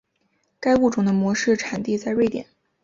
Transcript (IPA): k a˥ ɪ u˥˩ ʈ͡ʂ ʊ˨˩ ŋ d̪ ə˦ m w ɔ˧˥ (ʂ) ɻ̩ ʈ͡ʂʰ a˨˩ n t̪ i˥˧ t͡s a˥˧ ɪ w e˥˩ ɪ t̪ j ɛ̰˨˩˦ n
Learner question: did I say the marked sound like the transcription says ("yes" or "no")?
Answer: yes